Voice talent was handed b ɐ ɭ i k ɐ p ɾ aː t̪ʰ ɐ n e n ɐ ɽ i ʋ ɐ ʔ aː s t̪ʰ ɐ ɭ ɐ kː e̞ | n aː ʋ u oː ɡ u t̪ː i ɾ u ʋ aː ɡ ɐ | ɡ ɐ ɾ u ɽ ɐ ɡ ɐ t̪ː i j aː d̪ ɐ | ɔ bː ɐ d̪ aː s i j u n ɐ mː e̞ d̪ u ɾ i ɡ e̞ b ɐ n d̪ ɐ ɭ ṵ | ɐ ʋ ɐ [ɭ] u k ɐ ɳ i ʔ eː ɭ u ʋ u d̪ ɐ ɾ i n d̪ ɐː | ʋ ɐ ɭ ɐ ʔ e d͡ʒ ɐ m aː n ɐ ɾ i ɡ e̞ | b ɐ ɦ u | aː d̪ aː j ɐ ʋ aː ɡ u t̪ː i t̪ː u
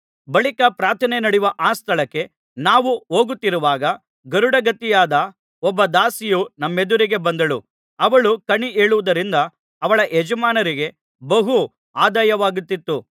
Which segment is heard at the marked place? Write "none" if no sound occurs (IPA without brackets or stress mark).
ɭ